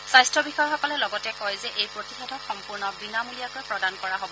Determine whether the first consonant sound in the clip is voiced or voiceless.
voiceless